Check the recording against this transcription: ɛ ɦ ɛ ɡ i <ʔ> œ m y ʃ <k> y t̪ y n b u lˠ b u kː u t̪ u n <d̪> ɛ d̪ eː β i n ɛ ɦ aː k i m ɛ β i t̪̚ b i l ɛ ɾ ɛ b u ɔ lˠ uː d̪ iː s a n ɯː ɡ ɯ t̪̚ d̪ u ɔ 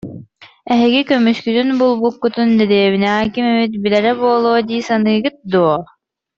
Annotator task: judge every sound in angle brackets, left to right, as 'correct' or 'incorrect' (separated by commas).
incorrect, correct, correct